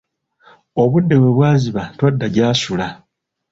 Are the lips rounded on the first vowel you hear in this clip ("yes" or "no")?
yes